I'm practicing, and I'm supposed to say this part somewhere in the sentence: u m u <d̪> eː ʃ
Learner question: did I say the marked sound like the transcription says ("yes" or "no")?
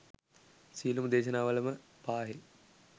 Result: yes